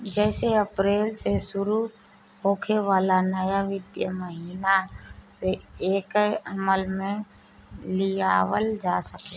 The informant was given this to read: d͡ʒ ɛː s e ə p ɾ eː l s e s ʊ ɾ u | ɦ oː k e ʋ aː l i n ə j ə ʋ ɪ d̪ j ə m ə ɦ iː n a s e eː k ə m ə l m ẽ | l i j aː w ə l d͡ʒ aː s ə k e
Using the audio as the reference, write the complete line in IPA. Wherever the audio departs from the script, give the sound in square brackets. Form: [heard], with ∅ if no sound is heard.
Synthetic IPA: d͡ʒ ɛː s e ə p ɾ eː l s e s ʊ ɾ u | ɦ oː [kʰ] e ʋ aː l [a] n ə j [a] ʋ ɪ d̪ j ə m ə ɦ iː n a s e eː k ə m ə l m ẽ | l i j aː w ə l d͡ʒ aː s ə k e